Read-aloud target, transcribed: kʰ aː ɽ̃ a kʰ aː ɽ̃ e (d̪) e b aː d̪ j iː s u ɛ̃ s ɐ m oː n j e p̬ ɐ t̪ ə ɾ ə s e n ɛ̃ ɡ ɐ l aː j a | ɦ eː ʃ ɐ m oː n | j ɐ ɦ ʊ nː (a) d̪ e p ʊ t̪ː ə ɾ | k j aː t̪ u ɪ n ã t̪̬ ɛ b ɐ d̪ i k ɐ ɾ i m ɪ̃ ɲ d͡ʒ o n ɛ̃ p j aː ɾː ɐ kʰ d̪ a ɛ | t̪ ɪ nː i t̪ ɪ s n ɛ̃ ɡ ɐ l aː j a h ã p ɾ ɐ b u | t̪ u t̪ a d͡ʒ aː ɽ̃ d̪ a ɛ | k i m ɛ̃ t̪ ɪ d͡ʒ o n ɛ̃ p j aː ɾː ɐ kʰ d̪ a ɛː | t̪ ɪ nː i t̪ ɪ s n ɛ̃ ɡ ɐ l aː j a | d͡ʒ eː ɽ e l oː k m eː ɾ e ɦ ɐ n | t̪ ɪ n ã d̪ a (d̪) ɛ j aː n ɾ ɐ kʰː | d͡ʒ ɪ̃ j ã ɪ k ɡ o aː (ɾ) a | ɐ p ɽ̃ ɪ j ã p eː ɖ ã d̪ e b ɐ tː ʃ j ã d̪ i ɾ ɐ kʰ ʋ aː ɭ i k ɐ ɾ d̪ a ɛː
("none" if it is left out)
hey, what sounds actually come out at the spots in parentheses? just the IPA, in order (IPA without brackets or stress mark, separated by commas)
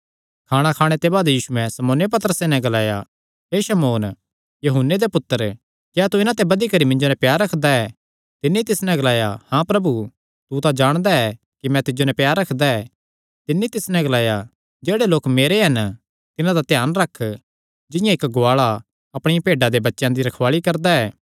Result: t̪, e, t̪, ɭ